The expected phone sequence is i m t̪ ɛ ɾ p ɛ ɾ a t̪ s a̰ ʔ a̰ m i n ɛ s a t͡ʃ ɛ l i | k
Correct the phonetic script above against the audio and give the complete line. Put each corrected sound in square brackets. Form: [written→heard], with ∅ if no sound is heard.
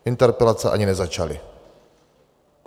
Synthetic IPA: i [m→n] t̪ ɛ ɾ p ɛ [ɾ→l] a t̪ s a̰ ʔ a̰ [m→ɲ] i n ɛ [s→z] a t͡ʃ [ɛ→a] l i | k